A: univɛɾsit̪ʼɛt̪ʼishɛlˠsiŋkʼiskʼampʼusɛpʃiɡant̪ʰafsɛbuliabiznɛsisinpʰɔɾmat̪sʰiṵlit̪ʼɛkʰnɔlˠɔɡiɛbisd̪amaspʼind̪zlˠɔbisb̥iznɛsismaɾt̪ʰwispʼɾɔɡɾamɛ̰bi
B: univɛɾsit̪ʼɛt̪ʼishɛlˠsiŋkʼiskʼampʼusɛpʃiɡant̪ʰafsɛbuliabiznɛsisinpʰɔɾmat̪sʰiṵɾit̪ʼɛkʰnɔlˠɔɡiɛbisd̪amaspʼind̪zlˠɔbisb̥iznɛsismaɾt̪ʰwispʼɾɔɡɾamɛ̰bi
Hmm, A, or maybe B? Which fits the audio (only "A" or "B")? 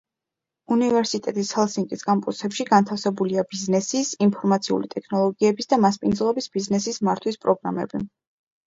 A